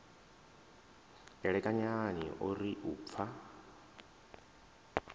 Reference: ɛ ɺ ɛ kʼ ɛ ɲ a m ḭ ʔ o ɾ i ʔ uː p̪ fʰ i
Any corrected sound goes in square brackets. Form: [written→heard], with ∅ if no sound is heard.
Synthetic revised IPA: ɛ ɺ ɛ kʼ [ɛ→a] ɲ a [m→n] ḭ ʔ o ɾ i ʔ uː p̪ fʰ [i→a]